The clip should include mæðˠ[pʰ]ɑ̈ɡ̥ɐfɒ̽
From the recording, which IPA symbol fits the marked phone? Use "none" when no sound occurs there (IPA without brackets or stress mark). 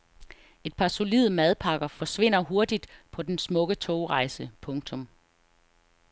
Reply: pʰ